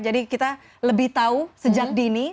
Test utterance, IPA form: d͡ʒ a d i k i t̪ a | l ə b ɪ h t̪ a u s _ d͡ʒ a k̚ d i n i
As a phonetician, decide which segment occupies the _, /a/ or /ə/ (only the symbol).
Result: ə